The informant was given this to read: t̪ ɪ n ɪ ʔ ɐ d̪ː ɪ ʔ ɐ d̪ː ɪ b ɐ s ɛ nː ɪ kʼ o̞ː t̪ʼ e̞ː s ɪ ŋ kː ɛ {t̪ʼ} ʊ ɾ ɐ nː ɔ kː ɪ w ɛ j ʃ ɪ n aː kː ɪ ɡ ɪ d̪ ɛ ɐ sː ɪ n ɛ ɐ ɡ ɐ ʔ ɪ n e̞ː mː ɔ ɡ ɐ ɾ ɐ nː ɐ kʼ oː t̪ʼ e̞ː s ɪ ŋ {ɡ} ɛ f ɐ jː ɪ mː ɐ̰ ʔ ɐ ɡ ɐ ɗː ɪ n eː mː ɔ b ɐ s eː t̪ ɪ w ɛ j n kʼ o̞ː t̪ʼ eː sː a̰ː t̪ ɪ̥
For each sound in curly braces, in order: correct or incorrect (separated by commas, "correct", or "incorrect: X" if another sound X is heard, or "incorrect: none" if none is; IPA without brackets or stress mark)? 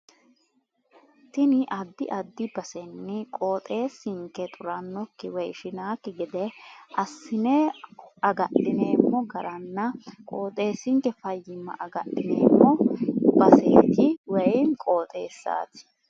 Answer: correct, incorrect: k